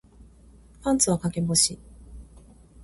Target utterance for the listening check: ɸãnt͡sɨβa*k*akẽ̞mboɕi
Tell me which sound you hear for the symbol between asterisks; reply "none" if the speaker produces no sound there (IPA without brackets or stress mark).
k